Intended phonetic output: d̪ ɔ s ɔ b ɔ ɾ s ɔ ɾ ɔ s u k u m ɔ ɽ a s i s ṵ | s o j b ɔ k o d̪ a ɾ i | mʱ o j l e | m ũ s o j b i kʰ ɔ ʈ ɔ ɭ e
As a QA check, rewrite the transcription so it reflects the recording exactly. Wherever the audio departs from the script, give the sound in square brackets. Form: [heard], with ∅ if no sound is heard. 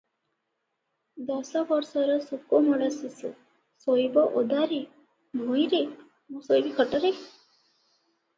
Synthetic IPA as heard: d̪ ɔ s ɔ b ɔ ɾ s ɔ ɾ ɔ s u k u m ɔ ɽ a s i s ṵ | s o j b ɔ [ʔ] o d̪ a ɾ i | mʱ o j [ɾ] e | m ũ s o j b i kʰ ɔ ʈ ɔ [ɾ] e